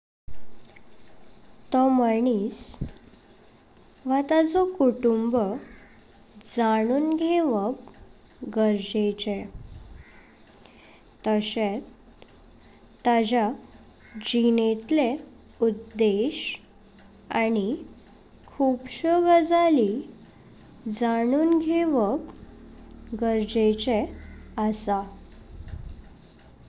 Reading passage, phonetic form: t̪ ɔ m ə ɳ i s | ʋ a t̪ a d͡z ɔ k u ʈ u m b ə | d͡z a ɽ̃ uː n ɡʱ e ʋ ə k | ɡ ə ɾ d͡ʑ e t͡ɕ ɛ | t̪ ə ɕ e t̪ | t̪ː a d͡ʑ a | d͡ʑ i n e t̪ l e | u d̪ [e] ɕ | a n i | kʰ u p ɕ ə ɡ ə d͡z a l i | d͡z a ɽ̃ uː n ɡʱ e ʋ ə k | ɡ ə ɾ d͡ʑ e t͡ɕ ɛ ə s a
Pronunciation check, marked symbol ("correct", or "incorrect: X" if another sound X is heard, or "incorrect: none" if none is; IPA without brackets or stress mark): correct